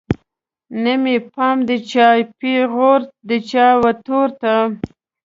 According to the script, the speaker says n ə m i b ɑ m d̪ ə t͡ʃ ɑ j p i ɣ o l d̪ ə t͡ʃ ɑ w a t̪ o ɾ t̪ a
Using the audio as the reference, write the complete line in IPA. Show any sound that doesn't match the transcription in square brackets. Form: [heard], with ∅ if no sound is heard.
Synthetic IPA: n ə m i [p] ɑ m d̪ ə t͡ʃ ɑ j p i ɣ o [ɾ] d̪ ə t͡ʃ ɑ w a t̪ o ɾ t̪ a